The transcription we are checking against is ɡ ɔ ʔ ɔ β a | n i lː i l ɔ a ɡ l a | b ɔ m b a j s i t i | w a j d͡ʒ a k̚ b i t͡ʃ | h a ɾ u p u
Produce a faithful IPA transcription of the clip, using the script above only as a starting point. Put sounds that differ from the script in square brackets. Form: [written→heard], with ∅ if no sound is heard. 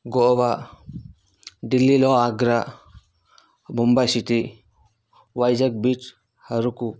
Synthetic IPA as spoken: ɡ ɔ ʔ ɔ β a | [n→d] i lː i l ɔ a ɡ [l→ɾ] a | b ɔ m b a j s i t i | w a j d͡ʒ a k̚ b i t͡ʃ | h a ɾ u [p→k] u

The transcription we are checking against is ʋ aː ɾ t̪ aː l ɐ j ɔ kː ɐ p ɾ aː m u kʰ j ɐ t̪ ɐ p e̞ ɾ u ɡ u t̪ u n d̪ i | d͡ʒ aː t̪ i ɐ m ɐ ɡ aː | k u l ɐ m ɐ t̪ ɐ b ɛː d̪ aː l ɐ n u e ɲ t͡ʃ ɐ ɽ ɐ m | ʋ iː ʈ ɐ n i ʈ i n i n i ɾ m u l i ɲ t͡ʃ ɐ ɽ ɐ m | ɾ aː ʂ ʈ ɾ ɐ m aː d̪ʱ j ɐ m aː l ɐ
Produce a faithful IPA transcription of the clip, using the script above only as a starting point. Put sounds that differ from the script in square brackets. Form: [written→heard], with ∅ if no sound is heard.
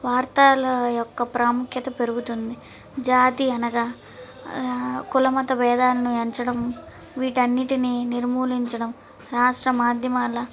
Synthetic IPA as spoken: ʋ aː ɾ t̪ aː l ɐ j ɔ kː ɐ p ɾ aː m u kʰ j ɐ t̪ ɐ p e̞ ɾ u ɡ u t̪ u n d̪ i | d͡ʒ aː t̪ i ɐ [m→n] ɐ ɡ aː | k u l ɐ m ɐ t̪ ɐ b ɛː d̪ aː l ɐ n u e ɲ t͡ʃ ɐ ɽ ɐ m | ʋ iː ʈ ɐ [n→nː] i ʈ i n i n i ɾ m [u→uː] l i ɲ t͡ʃ ɐ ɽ ɐ m | ɾ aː ʂ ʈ ɾ ɐ m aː d̪ʱ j ɐ m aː l ɐ

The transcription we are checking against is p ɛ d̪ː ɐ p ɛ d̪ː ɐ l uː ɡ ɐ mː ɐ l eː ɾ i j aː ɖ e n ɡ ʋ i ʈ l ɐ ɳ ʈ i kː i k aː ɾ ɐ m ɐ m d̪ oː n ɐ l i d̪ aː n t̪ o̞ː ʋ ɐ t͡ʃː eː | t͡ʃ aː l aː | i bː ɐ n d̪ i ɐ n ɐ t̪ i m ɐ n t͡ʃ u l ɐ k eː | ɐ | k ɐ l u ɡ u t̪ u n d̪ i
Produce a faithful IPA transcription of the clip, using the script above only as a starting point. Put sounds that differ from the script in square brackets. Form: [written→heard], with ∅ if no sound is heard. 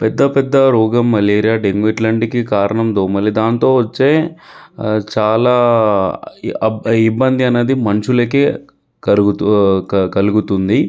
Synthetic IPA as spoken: p ɛ d̪ː ɐ p ɛ d̪ː ɐ [l→ɾ] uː ɡ ɐ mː ɐ l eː ɾ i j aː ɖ e [n→ŋ] ɡ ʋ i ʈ l ɐ ɳ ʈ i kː i k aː ɾ ɐ [m→ɳ] ɐ m d̪ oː [n→m] ɐ l i d̪ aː n t̪ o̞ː ʋ ɐ t͡ʃː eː | t͡ʃ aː l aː | i bː ɐ n d̪ i ɐ n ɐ [t̪→d̪] i m ɐ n t͡ʃ u l ɐ k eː | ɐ | k ɐ l u ɡ u t̪ u n d̪ i

